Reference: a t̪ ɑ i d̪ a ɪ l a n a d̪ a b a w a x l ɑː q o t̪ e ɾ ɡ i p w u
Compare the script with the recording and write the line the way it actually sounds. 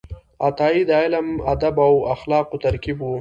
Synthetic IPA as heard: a t̪ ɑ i d̪ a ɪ l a m a d̪ a b a w a x l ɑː q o t̪ a ɾ k i b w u